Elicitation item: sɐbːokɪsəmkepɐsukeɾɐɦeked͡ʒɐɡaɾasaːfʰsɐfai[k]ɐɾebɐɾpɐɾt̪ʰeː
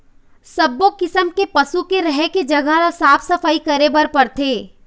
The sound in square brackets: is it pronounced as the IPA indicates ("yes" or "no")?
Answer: yes